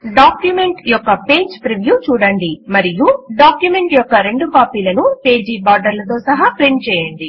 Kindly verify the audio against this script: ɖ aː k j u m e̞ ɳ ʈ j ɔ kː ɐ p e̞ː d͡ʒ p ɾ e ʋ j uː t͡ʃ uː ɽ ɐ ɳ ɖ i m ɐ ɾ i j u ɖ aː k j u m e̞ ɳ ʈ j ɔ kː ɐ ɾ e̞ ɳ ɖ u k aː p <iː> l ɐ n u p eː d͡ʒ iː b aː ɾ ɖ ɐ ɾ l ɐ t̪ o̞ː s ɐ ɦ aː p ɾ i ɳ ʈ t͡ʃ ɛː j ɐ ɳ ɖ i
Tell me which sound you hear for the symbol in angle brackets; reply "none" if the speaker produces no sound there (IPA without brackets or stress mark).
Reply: iː